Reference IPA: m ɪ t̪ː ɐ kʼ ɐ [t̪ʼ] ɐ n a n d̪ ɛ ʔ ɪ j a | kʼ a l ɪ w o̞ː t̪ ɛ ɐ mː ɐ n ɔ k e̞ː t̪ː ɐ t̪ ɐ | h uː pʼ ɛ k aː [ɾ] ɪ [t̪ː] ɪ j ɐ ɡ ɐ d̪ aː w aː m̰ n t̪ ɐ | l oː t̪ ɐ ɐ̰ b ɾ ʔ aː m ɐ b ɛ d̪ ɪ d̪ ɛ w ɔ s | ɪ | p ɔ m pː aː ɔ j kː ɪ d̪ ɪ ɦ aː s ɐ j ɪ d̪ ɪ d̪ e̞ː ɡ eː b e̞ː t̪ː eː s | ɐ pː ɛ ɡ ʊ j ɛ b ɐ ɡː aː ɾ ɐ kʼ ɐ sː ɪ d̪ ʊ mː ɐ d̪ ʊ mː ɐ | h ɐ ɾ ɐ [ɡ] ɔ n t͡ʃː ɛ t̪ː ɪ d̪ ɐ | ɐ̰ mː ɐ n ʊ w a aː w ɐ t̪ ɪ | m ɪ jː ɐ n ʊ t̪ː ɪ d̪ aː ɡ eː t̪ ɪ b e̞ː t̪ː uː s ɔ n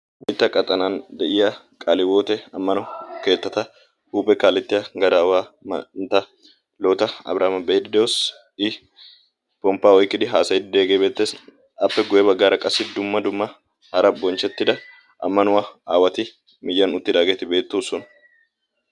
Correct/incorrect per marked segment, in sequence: correct, incorrect: l, correct, incorrect: b

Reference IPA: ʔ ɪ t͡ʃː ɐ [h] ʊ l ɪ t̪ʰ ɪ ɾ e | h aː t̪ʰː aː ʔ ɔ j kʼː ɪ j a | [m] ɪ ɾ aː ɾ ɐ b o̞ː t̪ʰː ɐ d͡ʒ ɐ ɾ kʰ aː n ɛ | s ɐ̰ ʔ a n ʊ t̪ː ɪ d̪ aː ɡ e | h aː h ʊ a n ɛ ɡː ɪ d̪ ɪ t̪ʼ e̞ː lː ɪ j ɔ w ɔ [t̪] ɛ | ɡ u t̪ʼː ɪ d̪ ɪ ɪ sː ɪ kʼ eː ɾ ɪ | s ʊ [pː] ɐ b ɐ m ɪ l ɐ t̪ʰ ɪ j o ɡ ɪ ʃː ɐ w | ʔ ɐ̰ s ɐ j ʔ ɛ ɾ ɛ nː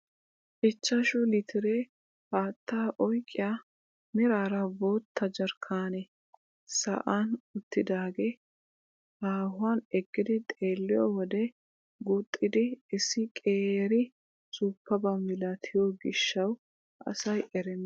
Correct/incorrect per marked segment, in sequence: incorrect: ʃ, correct, incorrect: d̪, correct

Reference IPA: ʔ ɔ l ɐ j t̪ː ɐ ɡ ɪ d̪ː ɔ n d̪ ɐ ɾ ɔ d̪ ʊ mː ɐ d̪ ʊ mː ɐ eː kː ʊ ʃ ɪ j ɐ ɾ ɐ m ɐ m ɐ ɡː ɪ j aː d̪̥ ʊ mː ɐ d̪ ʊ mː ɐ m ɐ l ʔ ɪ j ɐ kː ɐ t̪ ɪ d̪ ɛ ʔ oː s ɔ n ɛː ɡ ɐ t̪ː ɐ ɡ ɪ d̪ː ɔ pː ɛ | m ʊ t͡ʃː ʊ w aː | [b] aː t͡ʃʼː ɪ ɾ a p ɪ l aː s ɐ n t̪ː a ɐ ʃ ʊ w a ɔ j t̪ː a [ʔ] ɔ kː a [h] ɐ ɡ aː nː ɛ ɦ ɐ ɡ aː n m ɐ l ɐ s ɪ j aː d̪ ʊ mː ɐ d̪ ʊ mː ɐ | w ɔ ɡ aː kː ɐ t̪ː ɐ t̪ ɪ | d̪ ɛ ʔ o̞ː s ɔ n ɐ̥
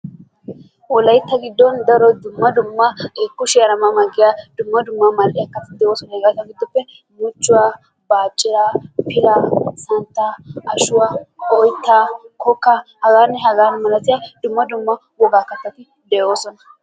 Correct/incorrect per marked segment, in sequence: correct, incorrect: k, correct

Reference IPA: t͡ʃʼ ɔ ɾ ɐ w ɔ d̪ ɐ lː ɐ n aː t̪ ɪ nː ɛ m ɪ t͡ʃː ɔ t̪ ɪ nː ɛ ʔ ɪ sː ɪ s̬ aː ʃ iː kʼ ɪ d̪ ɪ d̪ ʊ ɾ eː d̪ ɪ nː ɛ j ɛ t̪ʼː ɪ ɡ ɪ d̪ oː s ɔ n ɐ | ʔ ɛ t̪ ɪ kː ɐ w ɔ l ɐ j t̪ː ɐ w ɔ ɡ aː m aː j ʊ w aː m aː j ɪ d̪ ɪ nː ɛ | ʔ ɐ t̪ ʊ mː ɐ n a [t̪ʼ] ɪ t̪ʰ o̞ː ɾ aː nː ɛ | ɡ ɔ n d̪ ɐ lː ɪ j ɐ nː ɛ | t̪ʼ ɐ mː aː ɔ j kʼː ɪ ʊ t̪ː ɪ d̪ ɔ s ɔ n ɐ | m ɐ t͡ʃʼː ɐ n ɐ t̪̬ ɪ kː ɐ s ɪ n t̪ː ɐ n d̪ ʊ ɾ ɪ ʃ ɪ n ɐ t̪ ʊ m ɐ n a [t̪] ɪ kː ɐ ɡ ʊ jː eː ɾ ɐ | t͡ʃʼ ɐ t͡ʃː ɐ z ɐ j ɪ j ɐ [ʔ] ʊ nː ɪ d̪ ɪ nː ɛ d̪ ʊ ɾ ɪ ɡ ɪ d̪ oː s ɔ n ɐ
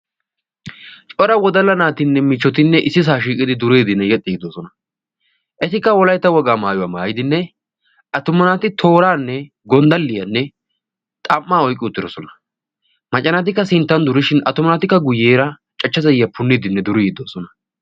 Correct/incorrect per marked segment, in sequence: incorrect: t̪, correct, incorrect: p

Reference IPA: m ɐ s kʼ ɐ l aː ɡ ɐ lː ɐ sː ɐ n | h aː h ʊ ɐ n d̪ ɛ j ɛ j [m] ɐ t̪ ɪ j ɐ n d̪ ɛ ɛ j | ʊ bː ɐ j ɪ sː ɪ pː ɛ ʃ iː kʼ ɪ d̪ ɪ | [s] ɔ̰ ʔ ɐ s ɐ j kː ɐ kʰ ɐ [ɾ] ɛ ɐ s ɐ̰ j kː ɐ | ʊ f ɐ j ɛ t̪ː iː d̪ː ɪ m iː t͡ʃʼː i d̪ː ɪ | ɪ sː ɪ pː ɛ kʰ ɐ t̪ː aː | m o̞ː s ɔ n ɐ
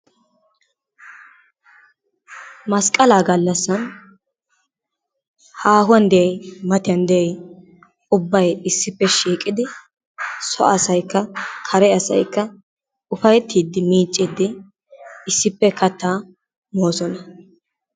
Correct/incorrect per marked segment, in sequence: correct, correct, correct

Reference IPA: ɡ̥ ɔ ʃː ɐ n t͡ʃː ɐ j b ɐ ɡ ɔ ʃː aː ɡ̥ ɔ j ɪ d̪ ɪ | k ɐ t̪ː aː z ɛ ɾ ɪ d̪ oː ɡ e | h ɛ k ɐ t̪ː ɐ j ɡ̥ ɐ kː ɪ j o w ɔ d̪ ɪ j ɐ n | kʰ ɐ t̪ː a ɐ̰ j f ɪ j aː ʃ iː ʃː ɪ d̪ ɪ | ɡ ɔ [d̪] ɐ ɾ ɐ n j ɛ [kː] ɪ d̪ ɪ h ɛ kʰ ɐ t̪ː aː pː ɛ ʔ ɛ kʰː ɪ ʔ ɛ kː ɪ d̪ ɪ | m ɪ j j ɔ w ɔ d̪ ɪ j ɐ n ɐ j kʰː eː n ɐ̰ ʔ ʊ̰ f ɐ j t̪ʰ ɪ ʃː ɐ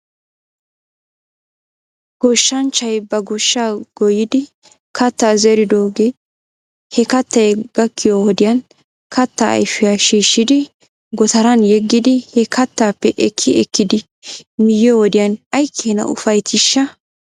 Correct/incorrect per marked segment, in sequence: incorrect: t̪, incorrect: ɡː

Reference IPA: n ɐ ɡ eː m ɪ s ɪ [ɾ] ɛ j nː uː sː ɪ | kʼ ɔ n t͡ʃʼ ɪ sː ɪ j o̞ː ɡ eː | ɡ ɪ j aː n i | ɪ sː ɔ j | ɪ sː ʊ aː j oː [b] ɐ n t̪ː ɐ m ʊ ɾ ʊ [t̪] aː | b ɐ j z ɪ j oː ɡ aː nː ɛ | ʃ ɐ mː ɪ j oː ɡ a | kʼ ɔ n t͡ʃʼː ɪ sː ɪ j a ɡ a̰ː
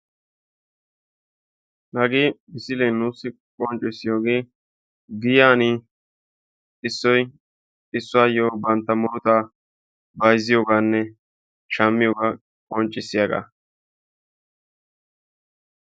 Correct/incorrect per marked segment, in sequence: incorrect: l, correct, correct

